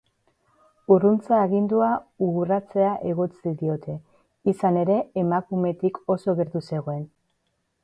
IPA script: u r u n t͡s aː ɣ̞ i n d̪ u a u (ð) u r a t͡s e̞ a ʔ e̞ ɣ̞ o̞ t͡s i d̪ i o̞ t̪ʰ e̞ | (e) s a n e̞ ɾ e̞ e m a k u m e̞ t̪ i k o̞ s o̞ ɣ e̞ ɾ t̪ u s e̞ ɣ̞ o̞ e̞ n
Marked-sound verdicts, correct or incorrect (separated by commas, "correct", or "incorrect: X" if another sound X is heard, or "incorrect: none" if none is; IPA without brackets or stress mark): incorrect: ɣ, incorrect: i